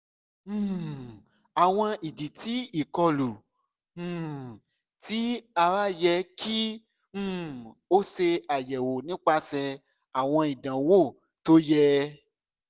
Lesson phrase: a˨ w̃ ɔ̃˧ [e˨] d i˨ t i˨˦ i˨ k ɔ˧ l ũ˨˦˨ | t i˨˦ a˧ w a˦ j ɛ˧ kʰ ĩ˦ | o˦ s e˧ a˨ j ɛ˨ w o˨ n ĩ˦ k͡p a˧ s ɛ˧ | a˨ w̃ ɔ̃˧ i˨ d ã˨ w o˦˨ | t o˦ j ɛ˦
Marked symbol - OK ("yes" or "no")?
no